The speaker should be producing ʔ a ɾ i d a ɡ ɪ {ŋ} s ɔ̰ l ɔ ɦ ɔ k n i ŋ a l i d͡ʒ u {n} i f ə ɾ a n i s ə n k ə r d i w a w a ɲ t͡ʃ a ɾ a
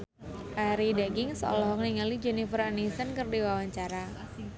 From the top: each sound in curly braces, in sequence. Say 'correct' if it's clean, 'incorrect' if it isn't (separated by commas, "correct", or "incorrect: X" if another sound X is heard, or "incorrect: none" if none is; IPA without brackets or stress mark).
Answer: correct, correct